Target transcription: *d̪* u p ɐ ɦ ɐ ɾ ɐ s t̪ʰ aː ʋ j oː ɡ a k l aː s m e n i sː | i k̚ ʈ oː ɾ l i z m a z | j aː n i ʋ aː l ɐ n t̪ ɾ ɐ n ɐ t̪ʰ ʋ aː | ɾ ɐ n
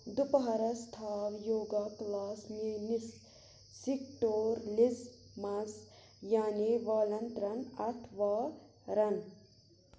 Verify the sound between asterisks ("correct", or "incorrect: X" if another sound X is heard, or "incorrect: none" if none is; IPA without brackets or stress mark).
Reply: correct